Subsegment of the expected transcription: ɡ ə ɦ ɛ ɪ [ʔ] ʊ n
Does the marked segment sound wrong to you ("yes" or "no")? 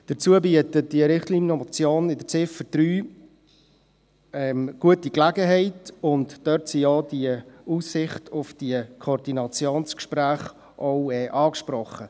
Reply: yes